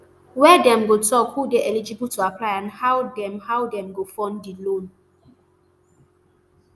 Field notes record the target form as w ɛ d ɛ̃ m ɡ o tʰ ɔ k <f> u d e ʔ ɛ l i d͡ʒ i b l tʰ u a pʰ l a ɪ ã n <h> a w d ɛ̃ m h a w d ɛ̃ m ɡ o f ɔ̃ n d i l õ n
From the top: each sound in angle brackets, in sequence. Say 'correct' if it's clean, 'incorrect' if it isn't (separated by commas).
incorrect, correct